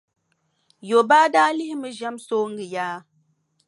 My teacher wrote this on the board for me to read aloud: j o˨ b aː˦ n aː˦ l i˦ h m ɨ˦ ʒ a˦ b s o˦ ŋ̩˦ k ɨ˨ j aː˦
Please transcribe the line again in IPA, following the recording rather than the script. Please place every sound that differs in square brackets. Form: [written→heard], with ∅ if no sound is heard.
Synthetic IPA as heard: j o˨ b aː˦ [n→d] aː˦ l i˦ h m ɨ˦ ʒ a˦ [b→m] s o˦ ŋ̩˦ [k→ɡ] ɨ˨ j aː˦

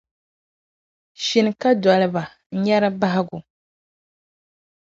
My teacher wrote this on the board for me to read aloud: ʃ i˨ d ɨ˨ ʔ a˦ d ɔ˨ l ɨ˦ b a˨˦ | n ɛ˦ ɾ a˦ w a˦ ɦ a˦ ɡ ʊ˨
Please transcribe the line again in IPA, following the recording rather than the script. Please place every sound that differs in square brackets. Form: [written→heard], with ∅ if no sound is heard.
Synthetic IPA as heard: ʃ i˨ [d→n] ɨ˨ [ʔ→k] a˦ d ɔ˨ l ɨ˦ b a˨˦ | [n→ɲ] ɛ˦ ɾ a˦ [w→b] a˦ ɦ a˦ ɡ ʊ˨

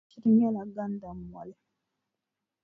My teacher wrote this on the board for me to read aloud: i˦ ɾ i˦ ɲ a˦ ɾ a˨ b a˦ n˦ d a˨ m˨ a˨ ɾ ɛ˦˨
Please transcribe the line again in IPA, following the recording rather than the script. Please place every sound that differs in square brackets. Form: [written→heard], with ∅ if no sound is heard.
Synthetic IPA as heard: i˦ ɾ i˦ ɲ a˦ [ɾ→l] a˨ [b→ɡ] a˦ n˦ d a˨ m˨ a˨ [ɾ→l] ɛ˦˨

